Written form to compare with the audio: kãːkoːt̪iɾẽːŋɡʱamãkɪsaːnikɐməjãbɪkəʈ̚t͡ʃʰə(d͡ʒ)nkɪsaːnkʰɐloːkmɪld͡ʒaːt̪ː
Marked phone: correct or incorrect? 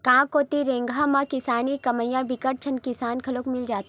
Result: incorrect: none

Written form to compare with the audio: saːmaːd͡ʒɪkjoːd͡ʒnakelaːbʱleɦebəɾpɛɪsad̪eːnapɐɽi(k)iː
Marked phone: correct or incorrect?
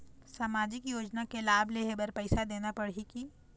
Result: correct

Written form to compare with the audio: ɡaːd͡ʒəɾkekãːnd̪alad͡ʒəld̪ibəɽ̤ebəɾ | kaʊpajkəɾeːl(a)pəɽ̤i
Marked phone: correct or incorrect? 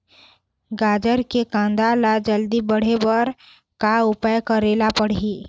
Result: correct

